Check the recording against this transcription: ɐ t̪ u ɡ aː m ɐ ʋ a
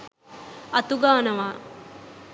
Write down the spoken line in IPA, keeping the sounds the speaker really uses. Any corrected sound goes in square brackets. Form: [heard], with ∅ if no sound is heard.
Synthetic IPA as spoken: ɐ t̪ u ɡ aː [n] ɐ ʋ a